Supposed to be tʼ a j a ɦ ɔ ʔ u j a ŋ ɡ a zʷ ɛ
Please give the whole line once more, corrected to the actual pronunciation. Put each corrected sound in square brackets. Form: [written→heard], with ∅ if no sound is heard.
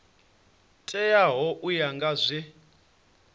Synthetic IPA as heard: tʼ [a→ɛ] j a ɦ ɔ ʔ u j a ŋ ɡ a zʷ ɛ